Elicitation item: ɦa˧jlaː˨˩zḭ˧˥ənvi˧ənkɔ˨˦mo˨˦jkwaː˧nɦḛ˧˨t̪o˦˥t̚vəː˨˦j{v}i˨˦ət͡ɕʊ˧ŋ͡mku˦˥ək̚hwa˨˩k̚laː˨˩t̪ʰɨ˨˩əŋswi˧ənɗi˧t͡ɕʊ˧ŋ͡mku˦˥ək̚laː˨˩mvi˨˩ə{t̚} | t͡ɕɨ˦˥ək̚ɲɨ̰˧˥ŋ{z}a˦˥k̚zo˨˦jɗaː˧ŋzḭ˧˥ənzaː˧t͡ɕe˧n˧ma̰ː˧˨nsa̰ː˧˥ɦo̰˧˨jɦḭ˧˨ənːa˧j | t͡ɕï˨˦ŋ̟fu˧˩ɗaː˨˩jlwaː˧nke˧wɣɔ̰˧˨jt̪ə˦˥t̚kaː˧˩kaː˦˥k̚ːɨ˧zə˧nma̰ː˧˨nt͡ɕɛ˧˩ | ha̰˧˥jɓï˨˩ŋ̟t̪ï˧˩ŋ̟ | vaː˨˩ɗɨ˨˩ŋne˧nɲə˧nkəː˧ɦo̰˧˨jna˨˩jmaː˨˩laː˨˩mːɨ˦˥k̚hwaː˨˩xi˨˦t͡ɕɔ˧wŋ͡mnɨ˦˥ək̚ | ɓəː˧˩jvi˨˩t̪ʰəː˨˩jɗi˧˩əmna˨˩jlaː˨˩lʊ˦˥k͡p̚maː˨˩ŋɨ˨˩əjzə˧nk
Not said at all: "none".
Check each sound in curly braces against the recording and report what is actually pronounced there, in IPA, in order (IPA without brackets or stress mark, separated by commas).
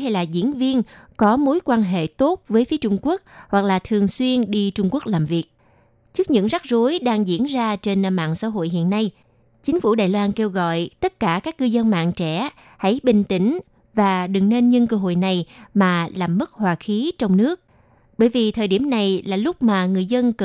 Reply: f, k̚, z